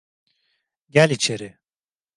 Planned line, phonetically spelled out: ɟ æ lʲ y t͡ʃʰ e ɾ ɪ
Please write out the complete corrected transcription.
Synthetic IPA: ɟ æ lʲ i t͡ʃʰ e ɾ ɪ